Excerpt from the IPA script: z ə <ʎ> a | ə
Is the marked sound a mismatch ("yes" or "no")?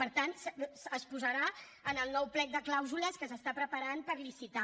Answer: yes